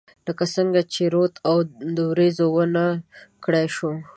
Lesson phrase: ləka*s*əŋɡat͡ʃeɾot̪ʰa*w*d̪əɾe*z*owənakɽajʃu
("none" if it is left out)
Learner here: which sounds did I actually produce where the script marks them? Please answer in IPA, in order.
s, w, z

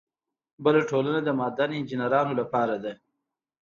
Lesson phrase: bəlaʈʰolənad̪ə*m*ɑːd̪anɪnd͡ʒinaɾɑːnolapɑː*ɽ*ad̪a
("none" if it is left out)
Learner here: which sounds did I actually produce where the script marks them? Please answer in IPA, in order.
m, ɾ

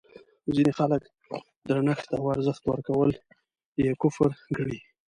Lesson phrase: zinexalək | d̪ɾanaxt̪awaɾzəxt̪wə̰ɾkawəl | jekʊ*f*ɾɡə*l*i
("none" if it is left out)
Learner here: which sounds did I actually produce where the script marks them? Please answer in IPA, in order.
f, ɽ

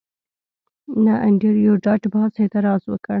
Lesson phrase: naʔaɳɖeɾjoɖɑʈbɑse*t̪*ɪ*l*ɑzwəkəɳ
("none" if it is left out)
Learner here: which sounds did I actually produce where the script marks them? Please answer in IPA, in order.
t̪, ɾ

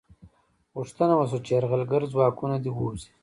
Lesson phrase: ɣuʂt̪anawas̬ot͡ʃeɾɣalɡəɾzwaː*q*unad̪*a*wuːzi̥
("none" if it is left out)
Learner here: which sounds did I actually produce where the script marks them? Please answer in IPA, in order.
k, i

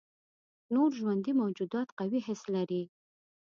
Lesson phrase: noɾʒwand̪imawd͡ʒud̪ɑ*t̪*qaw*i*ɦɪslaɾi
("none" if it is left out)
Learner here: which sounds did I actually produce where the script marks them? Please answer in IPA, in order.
t̪, i

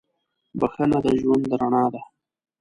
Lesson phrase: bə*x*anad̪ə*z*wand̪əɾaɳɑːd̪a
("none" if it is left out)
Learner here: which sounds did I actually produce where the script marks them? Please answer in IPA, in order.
x, ʒ

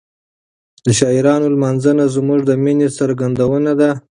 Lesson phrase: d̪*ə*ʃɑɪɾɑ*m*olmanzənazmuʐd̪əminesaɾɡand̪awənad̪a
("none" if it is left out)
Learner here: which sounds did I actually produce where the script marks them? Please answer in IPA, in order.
ə, n

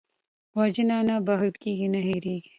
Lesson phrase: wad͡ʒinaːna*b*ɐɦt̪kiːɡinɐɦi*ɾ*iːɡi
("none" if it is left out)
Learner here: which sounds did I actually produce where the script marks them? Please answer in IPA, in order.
b, ɾ

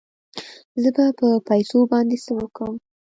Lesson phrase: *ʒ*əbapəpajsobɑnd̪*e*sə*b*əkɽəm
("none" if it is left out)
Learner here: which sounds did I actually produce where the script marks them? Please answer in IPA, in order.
z, e, w

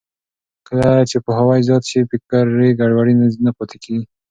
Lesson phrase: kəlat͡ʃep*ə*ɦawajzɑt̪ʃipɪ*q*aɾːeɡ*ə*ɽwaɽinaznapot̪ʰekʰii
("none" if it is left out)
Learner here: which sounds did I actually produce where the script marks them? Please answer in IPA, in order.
ə, k, a

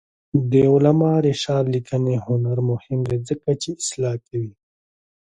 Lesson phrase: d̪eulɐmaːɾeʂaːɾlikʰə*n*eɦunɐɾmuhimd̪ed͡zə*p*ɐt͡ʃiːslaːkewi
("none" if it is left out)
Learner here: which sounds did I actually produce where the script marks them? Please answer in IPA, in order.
n, k

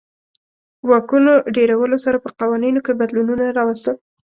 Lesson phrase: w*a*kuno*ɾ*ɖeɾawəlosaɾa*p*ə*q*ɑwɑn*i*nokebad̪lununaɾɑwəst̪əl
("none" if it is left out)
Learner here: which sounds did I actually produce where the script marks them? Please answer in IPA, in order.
ɑ, none, p, q, i

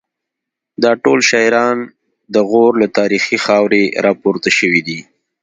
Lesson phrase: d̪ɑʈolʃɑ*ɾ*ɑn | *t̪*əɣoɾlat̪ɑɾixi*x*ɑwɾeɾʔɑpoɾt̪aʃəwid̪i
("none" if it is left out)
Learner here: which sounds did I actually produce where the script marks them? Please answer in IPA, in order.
ɾ, d̪, x

